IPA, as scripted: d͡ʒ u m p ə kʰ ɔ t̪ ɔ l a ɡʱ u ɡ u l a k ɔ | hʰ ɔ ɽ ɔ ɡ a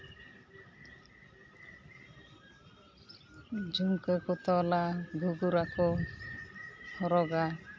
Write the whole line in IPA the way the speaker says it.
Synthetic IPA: d͡ʒ u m k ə k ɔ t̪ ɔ l a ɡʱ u ɡ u ɾ a k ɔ | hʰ ɔ ɾ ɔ ɡ a

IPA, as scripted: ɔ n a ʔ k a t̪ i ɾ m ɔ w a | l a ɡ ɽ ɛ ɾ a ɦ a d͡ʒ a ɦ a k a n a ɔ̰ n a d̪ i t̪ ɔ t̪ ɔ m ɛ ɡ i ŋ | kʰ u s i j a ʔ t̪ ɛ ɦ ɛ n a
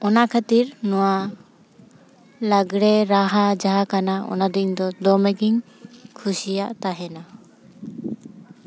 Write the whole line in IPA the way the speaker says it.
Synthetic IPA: ɔ n a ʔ kʰ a t̪ i ɾ n ɔ w a | l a ɡ ɽ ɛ ɾ a ɦ a d͡ʒ a ɦ a k a n a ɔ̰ n a d̪ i d̪ ɔ d̪ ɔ m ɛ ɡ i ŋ | kʰ u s i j a ʔ t̪ a ɦ ɛ n a

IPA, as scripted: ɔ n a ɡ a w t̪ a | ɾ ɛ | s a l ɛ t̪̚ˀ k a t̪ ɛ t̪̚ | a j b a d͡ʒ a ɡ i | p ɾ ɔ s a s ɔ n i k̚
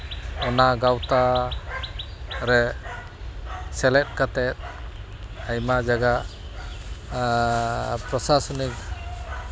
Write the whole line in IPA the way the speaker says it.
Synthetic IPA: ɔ n a ɡ a w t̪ a | ɾ ɛ | s ɛ l ɛ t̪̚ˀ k a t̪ ɛ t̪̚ | a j m a d͡ʒ a ɡ a | p ɾ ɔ s a s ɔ n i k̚

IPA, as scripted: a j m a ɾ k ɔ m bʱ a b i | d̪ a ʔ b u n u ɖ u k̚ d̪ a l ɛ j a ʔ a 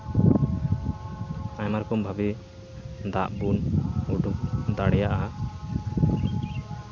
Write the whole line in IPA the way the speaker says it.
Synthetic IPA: a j m a ɾ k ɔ m bʱ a b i | d̪ a ʔ b u n u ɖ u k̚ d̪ a ɽ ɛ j a ʔ a

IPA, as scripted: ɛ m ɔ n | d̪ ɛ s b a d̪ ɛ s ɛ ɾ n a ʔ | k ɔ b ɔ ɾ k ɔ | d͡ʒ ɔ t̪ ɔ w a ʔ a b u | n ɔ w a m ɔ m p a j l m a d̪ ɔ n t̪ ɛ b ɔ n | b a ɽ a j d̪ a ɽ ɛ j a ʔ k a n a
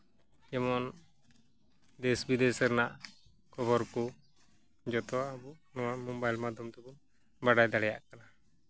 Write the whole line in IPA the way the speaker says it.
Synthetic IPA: ɛ m ɔ n | d̪ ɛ s b i d̪ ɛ s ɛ ɾ n a ʔ | k ɔ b ɔ ɾ k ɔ | d͡ʒ ɔ t̪ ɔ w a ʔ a b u | n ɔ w a m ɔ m b a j l m a d̪ ɔ m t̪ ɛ b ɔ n | b a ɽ a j d̪ a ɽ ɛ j a ʔ k a n a

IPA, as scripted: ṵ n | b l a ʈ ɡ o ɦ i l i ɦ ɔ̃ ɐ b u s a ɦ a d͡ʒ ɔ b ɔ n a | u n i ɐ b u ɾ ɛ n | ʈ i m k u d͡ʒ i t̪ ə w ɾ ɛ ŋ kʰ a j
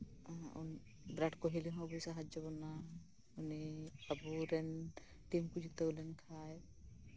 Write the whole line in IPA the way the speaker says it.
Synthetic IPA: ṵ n | b ɾ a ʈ k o ɦ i l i ɦ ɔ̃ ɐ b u s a ɦ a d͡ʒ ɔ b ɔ n a | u n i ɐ b u ɾ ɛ n | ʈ i m k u d͡ʒ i t̪ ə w l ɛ n kʰ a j

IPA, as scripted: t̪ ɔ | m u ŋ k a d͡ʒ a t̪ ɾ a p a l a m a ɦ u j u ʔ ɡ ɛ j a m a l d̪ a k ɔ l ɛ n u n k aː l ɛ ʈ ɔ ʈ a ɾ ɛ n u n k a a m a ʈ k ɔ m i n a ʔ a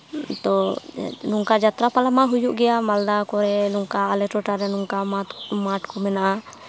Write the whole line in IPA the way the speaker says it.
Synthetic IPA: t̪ ɔ | n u ŋ k a d͡ʒ a t̪ ɾ a p a l a m a ɦ u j u ʔ ɡ ɛ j a m a l d̪ a k ɔ ɾ ɛ n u ŋ k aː l ɛ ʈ ɔ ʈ a ɾ ɛ n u ŋ k a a m a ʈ k ɔ m ɛ n a ʔ a

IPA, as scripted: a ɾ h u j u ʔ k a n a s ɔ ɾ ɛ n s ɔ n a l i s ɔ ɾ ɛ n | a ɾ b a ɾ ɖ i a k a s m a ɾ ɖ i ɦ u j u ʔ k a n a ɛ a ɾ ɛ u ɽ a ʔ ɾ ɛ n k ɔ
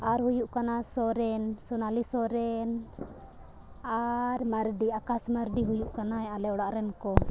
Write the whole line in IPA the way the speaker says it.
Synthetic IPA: a ɾ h u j u ʔ k a n a s ɔ ɾ ɛ n s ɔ n a l i s ɔ ɾ ɛ n | a ɾ m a ɾ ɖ i a k a s m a ɾ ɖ i ɦ u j u ʔ k a n a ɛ a l ɛ ɔ ɽ a ʔ ɾ ɛ n k ɔ

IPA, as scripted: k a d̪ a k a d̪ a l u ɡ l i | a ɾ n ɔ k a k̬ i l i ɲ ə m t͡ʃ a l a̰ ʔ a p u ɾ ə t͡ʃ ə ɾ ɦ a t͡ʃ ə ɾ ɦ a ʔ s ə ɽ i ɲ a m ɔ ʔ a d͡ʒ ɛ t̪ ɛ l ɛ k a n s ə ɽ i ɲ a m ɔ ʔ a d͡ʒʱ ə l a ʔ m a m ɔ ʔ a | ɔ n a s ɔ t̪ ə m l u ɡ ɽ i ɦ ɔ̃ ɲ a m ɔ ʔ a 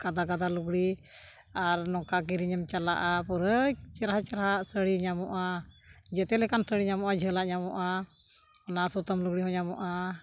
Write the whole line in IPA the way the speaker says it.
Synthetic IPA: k a d̪ a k a d̪ a l u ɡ ɽ i | a ɾ n ɔ k a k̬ i ɾ i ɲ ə m t͡ʃ a l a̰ ʔ a p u ɾ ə t͡ʃ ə ɾ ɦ a t͡ʃ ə ɾ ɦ a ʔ s ə ɽ i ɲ a m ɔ ʔ a d͡ʒ ɛ t̪ ɛ l ɛ k a n s ə ɽ i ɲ a m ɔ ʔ a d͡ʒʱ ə l a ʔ ɲ a m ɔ ʔ a | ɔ n a s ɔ t̪ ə m l u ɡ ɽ i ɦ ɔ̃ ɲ a m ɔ ʔ a

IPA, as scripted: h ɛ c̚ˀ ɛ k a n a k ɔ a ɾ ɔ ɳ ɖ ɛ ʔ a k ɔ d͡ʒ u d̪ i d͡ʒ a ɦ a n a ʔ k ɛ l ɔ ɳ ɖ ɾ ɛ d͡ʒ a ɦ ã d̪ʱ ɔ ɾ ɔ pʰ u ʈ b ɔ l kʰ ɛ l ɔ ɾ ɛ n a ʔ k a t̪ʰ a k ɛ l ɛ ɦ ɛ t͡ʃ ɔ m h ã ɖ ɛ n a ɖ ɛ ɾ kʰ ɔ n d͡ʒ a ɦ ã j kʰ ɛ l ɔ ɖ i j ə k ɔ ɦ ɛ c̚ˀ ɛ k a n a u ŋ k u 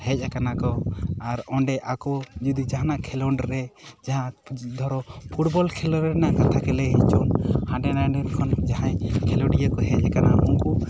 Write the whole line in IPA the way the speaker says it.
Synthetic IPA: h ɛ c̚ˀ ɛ k a n a k ɔ a ɾ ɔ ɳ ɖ ɛ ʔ a k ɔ d͡ʒ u d̪ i d͡ʒ a ɦ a n a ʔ kʰ ɛ l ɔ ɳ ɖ ɾ ɛ d͡ʒ a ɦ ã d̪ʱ ɔ ɾ ɔ pʰ u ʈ b ɔ l kʰ ɛ l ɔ ɾ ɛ n a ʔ k a t̪ʰ a k ɛ l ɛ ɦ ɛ t͡ʃ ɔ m h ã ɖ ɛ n a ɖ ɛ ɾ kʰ ɔ n d͡ʒ a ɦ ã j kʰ ɛ l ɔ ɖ i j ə k ɔ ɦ ɛ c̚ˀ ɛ k a n a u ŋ k u

